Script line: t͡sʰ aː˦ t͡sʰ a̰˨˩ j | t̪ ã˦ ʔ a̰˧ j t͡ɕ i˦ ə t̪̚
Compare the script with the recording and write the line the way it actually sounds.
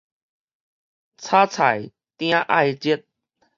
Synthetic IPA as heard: t͡sʰ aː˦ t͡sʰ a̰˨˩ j | t̪ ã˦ ʔ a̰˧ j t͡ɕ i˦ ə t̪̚